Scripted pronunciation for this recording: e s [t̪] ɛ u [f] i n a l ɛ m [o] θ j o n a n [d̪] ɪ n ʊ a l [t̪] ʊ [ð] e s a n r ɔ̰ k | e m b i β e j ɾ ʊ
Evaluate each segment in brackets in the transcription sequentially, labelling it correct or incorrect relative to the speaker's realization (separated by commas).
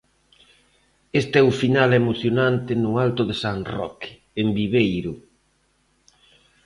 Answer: correct, correct, correct, incorrect, correct, correct